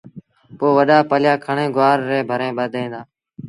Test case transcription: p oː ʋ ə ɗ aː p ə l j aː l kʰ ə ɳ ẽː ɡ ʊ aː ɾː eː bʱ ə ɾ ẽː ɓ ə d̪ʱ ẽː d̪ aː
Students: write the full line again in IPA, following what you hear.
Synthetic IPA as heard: p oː ʋ ə ɗ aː p ə l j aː kʰ ə ɳ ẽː ɡ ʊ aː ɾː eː bʱ ə ɾ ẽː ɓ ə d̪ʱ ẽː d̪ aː